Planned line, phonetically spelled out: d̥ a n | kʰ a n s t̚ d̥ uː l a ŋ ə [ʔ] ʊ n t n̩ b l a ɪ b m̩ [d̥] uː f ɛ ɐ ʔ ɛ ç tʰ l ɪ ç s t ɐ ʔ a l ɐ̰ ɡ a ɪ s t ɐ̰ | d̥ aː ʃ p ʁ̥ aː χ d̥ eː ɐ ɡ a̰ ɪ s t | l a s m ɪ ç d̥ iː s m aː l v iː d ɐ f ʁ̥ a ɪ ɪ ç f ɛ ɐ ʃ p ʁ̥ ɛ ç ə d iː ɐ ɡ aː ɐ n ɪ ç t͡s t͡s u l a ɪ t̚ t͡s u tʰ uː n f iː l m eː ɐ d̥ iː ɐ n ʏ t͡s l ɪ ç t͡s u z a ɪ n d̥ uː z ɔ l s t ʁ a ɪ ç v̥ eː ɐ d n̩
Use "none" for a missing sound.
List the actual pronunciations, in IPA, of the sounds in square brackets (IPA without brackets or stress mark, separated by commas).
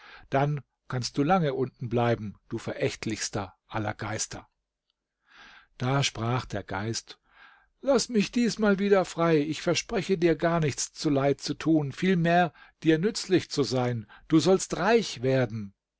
ʔ, d̥